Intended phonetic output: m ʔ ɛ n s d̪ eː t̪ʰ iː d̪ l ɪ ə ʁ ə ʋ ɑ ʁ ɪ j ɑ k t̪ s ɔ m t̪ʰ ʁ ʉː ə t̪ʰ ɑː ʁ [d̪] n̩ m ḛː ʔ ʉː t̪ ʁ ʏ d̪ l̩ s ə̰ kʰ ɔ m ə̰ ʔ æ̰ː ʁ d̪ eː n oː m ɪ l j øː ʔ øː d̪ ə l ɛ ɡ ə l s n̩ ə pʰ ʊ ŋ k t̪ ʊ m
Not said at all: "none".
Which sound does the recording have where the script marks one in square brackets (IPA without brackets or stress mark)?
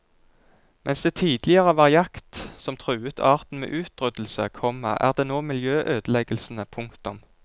t̪